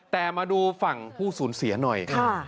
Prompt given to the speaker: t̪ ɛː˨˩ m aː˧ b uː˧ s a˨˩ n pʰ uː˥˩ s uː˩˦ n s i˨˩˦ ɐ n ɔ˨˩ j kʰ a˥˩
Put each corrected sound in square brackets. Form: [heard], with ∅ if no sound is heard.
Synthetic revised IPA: t̪ ɛː˨˩ m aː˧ [d] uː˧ [f] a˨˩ [ŋ] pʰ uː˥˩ s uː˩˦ n s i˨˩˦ ɐ n ɔ˨˩ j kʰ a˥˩